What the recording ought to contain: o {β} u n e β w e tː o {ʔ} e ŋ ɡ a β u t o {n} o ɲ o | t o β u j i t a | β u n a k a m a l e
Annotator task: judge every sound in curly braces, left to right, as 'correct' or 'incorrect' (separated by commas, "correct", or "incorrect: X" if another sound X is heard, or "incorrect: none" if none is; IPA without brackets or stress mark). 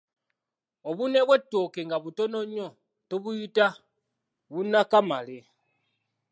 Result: correct, incorrect: k, correct